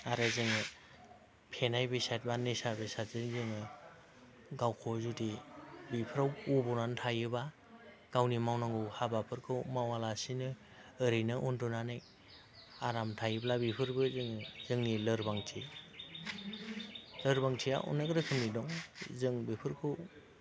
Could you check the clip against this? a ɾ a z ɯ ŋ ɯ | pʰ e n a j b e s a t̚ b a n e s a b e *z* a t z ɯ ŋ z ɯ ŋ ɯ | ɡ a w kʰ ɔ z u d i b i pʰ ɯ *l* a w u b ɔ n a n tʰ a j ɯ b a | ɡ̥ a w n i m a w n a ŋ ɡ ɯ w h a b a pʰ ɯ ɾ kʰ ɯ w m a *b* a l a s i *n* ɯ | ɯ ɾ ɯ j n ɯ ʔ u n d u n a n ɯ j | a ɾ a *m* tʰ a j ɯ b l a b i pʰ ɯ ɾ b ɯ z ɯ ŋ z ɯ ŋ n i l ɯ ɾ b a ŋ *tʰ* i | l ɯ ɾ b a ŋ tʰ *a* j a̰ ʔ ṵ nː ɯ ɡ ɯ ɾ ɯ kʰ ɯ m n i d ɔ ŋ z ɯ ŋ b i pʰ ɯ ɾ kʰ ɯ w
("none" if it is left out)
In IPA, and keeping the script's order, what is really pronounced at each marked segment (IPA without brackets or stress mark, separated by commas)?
s, ɾ, w, n, m, tʰ, i